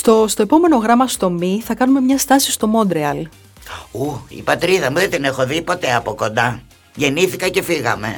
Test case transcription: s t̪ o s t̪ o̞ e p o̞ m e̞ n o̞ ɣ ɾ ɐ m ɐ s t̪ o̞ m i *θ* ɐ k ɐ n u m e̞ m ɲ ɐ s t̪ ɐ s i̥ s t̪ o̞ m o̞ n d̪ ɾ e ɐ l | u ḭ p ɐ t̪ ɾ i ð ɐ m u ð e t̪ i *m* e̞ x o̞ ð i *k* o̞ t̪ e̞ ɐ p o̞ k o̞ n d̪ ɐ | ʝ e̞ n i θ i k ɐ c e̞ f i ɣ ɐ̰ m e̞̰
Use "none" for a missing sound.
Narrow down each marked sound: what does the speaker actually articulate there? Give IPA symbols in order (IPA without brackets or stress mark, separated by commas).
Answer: θ, n, p